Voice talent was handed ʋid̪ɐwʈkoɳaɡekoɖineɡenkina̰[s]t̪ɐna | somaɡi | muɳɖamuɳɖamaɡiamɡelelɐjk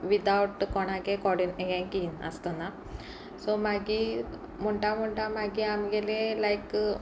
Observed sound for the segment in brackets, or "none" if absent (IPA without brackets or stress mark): s